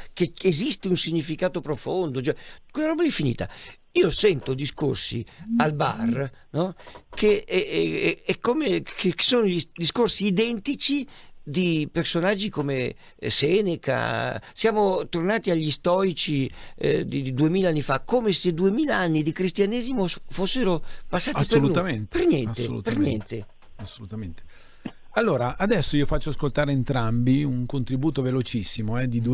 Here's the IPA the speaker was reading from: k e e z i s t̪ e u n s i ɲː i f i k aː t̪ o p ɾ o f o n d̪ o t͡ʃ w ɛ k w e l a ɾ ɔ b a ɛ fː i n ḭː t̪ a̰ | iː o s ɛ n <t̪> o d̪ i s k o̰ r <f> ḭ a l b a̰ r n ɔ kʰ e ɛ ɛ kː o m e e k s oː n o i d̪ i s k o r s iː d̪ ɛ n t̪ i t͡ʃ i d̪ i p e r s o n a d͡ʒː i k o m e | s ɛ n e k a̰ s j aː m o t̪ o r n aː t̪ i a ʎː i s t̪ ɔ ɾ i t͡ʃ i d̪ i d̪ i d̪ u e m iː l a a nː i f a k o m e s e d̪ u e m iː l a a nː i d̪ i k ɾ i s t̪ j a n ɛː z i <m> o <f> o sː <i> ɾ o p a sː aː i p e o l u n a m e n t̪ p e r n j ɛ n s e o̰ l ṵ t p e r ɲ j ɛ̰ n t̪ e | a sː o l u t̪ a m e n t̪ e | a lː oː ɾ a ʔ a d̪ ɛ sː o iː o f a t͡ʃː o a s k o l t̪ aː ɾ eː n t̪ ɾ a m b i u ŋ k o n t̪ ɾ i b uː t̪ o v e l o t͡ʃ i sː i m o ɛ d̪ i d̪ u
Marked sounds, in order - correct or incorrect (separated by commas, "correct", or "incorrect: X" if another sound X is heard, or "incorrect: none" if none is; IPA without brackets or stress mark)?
correct, incorrect: s, correct, correct, incorrect: e